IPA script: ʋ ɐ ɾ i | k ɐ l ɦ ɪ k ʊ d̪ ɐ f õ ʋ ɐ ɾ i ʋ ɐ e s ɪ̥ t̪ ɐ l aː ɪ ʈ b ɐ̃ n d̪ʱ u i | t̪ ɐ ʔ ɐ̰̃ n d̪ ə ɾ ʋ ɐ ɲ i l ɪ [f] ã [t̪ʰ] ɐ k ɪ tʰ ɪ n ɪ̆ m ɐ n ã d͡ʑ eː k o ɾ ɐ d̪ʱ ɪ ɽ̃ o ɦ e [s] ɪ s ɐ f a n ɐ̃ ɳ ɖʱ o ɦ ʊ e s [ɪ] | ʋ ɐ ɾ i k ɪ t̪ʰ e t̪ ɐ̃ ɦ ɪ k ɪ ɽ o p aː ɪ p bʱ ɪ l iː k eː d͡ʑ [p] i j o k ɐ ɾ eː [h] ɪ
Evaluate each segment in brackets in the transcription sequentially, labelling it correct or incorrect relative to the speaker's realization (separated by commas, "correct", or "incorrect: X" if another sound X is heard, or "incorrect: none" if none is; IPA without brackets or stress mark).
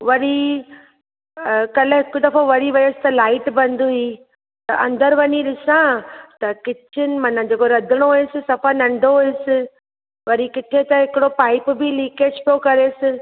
incorrect: s, incorrect: t̪, correct, correct, correct, incorrect: s